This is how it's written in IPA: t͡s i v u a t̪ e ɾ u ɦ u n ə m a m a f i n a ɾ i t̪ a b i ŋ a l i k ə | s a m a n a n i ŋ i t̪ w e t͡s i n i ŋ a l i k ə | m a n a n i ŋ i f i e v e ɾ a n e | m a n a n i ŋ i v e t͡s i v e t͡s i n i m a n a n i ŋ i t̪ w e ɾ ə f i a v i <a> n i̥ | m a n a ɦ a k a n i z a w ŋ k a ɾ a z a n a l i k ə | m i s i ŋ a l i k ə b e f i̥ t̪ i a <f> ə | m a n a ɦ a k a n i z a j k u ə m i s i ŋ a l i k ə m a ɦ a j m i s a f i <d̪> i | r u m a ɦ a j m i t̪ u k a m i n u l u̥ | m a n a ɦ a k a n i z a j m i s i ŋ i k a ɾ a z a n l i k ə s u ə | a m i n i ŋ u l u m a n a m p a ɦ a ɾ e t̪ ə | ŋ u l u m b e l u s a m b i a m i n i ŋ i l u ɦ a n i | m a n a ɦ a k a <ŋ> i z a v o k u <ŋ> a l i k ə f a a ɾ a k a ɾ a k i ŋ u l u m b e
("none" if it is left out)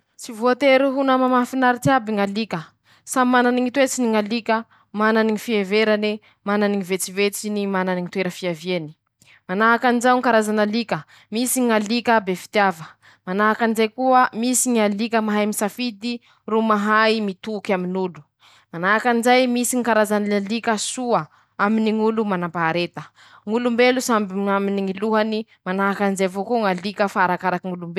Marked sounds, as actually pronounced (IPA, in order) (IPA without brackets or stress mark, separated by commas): e, v, d̪, n, ŋ